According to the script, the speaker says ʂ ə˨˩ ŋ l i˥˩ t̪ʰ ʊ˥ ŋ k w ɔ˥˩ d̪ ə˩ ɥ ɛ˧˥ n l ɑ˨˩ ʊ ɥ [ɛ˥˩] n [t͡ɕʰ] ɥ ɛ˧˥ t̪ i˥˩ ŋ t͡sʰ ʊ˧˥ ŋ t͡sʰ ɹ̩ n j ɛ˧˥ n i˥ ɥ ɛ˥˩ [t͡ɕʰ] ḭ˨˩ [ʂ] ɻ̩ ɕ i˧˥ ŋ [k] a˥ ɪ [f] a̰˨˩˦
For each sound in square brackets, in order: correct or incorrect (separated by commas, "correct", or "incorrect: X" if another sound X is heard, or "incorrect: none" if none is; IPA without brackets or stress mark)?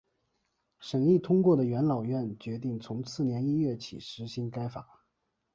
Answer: correct, incorrect: t͡ɕ, correct, correct, correct, correct